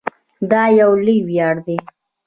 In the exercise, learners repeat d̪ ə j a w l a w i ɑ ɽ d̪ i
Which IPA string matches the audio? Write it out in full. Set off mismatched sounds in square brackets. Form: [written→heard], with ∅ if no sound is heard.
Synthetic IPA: d̪ [ə→ɑ] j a w l [a→i] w [i→j] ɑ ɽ d̪ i

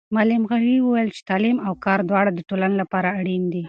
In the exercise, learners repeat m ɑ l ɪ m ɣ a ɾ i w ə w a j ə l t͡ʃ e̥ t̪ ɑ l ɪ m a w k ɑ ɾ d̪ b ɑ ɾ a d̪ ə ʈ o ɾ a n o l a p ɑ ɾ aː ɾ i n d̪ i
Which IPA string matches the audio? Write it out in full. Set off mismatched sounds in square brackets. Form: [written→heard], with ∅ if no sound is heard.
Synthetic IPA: m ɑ l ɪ m ɣ a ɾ i w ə w a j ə l t͡ʃ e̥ t̪ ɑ l [ɪ→i] m a w k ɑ ɾ d̪ [b→w] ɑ [ɾ→ɽ] a d̪ ə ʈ o [ɾ→l] a n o l a p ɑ ɾ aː [ɾ→ɽ] i n d̪ i

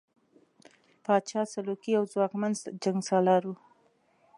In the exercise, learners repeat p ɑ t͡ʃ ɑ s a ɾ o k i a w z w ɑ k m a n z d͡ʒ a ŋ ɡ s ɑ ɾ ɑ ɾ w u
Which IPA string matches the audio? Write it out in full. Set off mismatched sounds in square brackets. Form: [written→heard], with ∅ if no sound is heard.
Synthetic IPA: p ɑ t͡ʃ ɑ s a [ɾ→l] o k i a w z w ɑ k m a n z d͡ʒ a ŋ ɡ s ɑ [ɾ→l] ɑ ɾ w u

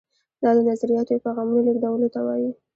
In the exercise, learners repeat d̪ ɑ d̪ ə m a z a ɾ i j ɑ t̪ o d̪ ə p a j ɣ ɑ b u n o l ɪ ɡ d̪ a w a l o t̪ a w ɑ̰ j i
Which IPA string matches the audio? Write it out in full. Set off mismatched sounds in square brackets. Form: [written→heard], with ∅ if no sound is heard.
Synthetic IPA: d̪ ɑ d̪ ə [m→n] a z a ɾ i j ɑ t̪ o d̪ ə p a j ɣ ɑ [b→m] u n o l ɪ ɡ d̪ a w [a→ə] l o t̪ a w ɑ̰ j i

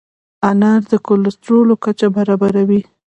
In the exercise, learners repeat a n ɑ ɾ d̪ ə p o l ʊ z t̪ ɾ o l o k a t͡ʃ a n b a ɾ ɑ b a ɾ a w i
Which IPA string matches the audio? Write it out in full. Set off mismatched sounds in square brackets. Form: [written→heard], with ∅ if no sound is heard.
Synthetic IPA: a n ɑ ɾ d̪ ə [p→k] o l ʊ [z→s] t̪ ɾ o l o k a t͡ʃ a [n→∅] b a ɾ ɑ b a ɾ a w i

